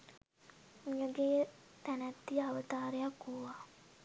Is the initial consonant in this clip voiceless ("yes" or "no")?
no